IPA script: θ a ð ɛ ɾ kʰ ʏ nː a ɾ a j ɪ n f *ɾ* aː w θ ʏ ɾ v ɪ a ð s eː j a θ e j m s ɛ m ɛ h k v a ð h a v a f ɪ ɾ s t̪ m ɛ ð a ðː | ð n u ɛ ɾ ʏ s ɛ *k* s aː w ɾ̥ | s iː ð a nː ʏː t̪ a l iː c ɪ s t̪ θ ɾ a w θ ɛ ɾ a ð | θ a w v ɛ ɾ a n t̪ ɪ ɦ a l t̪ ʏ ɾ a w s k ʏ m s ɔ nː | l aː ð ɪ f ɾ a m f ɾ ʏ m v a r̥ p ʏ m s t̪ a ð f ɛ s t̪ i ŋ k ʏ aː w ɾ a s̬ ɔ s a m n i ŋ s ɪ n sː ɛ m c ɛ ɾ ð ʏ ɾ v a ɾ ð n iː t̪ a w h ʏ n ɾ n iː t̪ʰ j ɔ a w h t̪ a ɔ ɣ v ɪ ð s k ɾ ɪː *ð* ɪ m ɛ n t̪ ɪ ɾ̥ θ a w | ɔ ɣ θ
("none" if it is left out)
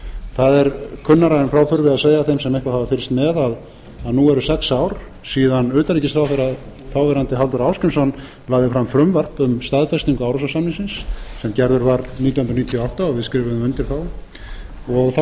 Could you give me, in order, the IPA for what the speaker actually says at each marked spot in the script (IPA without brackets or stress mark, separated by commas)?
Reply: ɾ, k, v